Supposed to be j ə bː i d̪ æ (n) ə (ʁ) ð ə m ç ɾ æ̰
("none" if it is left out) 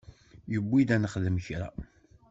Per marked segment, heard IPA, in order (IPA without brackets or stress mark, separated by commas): n, χ